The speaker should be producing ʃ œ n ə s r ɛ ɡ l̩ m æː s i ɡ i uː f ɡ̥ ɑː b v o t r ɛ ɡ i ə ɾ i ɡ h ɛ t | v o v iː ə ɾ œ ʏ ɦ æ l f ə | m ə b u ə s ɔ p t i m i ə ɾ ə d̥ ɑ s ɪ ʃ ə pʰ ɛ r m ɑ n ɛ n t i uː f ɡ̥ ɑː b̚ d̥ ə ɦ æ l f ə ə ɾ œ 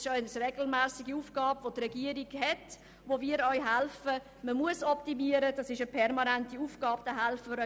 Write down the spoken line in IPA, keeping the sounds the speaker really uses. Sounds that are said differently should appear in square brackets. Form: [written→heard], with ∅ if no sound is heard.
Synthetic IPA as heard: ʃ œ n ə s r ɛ ɡ l̩ m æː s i ɡ i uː f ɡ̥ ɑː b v o t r ɛ ɡ i ə ɾ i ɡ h ɛ t | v o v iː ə ɾ œ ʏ ɦ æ l f ə | m ə [b→m] u ə s ɔ p t i m i ə ɾ ə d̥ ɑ s ɪ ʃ ə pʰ ɛ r m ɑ n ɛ n t i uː f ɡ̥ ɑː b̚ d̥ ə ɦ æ l f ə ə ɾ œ